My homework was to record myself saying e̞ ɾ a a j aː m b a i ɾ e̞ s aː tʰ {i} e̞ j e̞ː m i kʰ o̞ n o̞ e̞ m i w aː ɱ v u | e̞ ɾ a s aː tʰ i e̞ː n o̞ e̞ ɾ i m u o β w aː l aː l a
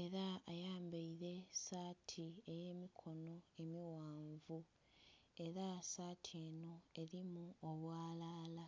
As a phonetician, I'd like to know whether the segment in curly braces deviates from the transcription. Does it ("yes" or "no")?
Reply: no